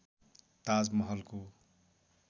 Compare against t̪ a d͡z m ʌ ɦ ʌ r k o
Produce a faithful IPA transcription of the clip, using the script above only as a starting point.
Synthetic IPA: t̪ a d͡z m ʌ ɦ ʌ l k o